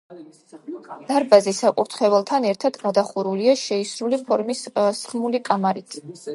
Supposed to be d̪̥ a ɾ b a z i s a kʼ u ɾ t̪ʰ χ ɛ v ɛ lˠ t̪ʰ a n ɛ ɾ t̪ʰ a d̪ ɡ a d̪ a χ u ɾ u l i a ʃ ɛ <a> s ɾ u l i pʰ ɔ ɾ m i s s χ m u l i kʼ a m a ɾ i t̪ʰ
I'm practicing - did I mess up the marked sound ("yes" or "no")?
yes